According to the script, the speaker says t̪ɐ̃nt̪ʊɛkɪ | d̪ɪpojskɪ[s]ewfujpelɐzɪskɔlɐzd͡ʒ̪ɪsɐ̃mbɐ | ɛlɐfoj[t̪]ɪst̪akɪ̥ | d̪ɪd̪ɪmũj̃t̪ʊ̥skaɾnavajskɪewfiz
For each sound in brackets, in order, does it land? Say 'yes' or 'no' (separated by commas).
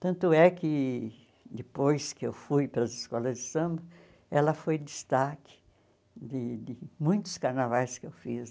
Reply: no, no